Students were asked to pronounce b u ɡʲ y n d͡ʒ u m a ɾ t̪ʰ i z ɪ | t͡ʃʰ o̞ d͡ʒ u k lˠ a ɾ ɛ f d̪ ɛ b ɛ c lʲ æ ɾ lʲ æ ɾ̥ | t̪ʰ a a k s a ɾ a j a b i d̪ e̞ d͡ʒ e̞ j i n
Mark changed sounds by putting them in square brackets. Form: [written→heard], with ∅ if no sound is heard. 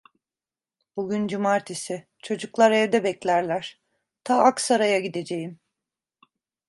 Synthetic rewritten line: b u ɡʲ y n d͡ʒ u m a ɾ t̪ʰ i [z→s] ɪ | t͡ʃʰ o̞ d͡ʒ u k lˠ a ɾ ɛ [f→v] d̪ ɛ b ɛ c lʲ æ ɾ lʲ æ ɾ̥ | t̪ʰ a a k s a ɾ a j a [b→ɟ] i d̪ e̞ d͡ʒ e̞ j i [n→m]